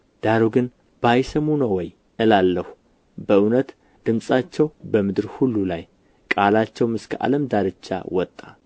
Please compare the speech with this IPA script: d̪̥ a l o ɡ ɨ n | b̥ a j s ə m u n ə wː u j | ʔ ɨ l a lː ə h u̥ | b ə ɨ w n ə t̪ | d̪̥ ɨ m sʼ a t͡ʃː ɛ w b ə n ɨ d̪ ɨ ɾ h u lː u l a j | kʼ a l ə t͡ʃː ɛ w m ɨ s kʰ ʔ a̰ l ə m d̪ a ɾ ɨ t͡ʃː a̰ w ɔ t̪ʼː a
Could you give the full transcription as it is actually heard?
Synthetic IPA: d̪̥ a ɾ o ɡ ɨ n | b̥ a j s ə m u n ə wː ɔ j | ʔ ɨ l a lː ə h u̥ | b ə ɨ w n ə t̪ | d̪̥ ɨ m sʼ a t͡ʃː ɛ w b ə m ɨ d̪ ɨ ɾ h u lː u l a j | kʼ a l a t͡ʃː ɛ w m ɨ s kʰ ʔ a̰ l ə m d̪ a ɾ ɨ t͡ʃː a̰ w ɔ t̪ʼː a